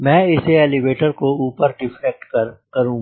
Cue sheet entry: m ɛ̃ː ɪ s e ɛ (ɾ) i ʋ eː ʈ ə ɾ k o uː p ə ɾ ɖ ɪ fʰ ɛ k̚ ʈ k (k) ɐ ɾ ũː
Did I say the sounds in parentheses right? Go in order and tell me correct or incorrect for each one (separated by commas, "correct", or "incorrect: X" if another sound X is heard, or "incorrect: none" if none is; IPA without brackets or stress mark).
incorrect: l, correct